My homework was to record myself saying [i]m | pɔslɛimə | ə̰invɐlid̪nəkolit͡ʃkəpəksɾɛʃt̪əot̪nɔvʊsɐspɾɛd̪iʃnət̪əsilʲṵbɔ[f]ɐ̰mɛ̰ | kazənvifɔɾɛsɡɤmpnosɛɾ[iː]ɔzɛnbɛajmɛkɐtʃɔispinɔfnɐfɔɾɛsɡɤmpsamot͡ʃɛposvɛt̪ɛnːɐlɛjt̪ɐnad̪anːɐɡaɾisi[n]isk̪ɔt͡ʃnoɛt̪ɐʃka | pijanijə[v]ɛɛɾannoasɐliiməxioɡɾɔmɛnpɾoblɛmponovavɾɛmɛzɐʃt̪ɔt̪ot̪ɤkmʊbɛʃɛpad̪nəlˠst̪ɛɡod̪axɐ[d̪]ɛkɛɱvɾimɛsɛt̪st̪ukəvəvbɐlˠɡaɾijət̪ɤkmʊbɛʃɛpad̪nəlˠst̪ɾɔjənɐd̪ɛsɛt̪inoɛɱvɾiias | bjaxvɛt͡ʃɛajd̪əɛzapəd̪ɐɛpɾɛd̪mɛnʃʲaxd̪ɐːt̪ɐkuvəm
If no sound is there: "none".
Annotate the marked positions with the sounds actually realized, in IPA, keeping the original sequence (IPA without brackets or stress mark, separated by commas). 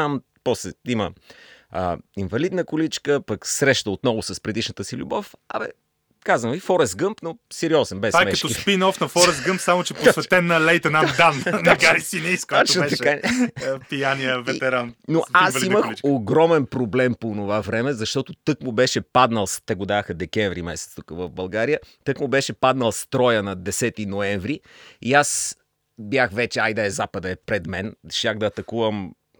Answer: a, f, i, n, v, d̪